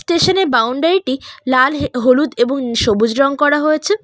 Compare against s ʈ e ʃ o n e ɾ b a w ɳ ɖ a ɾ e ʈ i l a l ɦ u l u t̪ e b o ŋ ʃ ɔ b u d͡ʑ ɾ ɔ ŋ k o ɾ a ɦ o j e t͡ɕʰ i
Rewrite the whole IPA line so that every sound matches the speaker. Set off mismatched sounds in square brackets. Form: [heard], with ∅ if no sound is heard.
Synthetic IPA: s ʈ e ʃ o n e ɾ b a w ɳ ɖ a ɾ [i] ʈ i l a l ɦ [o] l u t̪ e b o ŋ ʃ [o] b u d͡ʑ ɾ ɔ ŋ k [ɔ] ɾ a ɦ o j e t͡ɕʰ [e]